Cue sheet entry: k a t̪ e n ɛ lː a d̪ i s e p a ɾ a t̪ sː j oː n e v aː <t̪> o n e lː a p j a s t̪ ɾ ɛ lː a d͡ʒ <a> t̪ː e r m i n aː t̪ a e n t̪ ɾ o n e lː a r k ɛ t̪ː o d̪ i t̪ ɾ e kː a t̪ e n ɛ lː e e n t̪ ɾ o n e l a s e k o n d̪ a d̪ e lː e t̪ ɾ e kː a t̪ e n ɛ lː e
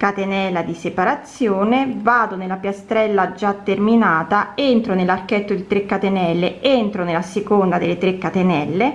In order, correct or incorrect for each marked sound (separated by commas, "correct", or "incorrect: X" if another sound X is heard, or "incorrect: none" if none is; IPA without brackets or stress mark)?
incorrect: d̪, correct